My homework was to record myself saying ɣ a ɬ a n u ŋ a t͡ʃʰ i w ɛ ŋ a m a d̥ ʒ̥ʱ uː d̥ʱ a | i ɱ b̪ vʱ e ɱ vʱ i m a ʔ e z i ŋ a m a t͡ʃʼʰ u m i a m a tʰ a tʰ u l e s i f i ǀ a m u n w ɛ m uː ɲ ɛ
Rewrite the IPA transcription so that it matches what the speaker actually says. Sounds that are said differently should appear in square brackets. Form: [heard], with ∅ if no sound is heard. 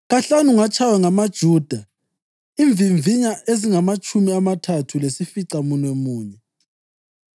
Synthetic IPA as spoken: ɣ a ɬ a n u ŋ a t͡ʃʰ [a] w ɛ ŋ a m a d̥ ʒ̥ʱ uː d̥ʱ a | i ɱ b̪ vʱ [i] ɱ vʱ i [ɲ] a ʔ e z i ŋ a m a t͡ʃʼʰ u m i a m a tʰ a tʰ u l e s i f i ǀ a m u n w ɛ m uː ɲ ɛ